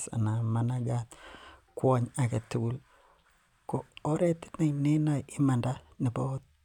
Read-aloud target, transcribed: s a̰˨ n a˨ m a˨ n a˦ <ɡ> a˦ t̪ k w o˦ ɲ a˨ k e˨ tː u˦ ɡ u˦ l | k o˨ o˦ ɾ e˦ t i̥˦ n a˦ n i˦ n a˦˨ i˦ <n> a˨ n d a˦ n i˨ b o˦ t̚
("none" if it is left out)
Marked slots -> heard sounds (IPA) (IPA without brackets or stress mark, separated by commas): ɡ, m